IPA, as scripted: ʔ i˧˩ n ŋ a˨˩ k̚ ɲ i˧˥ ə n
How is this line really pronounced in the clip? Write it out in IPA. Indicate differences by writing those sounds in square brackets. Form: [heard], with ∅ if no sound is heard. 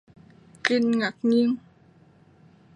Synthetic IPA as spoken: [k] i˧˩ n ŋ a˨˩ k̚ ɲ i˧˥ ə [ŋ]